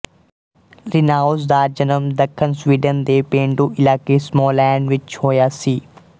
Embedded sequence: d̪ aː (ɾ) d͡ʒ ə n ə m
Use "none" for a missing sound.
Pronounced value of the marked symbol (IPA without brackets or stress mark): ɾ